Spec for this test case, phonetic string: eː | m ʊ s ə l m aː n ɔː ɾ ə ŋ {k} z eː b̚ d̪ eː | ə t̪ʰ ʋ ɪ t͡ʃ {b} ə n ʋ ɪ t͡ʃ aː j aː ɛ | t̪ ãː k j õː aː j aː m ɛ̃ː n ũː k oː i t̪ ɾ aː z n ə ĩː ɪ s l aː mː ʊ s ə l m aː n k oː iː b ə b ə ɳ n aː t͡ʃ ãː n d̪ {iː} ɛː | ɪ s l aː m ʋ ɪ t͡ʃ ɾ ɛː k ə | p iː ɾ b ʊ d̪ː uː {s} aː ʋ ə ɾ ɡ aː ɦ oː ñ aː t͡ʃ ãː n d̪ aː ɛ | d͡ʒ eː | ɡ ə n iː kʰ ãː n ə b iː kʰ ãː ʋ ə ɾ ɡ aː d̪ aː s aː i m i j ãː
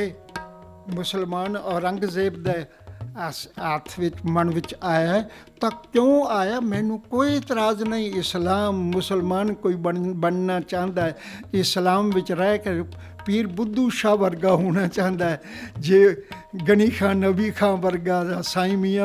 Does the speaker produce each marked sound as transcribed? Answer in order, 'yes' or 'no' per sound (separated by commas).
no, no, no, no